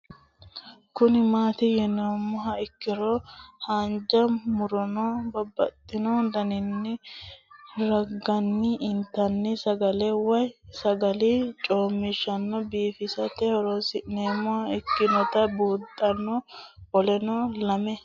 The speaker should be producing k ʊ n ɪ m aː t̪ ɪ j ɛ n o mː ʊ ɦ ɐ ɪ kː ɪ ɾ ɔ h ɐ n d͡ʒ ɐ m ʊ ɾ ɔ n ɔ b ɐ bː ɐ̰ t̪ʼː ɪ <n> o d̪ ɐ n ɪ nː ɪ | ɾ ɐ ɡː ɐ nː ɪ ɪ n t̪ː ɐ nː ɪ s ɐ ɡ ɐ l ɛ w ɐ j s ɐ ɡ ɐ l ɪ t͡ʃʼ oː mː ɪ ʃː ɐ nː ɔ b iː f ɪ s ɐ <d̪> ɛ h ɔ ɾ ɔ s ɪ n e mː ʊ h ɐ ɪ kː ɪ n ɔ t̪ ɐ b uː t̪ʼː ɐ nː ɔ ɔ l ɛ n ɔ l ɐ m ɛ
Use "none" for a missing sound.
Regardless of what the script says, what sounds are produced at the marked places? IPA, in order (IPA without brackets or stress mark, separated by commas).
n, t̪